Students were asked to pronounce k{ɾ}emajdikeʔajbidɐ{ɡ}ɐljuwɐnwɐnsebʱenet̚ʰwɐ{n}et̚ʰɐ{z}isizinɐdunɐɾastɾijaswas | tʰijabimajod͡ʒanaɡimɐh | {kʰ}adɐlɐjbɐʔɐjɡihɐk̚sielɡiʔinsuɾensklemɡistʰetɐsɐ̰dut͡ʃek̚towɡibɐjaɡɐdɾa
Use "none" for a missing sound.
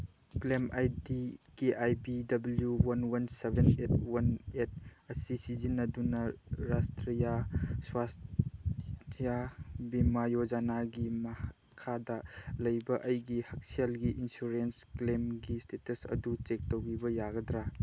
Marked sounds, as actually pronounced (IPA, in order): l, b, n, s, kʰ

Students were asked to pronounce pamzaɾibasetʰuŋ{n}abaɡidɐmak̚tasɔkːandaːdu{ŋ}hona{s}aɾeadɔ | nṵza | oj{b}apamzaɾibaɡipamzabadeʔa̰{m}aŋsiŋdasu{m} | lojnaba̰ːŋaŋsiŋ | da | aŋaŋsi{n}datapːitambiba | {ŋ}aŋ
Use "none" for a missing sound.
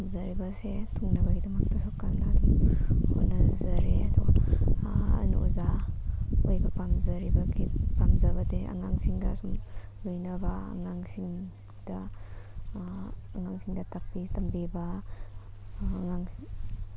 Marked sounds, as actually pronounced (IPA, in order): n, m, z, b, ŋ, m, ŋ, ŋ

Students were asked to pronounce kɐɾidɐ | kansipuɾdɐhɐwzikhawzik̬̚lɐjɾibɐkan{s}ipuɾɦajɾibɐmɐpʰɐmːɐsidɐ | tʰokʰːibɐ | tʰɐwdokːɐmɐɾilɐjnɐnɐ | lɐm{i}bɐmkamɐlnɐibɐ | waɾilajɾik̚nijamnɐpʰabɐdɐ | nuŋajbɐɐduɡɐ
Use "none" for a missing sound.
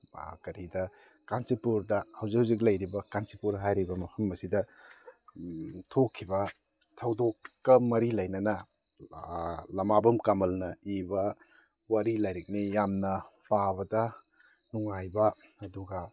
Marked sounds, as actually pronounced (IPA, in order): s, a

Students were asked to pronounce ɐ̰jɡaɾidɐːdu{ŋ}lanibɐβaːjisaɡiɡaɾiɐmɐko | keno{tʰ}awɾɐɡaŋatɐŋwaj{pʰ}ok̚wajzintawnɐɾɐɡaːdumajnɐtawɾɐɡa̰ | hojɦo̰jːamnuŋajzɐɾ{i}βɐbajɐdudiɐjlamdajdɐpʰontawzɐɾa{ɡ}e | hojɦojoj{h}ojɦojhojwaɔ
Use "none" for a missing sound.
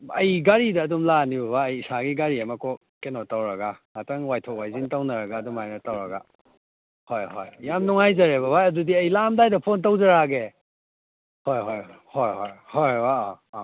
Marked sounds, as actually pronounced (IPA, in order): m, t, tʰ, e, ɡ, h

